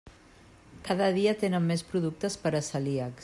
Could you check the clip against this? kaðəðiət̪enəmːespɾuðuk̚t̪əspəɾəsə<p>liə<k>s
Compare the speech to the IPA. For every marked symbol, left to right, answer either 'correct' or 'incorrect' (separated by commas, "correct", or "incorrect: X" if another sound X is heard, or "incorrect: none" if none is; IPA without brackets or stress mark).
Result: incorrect: none, correct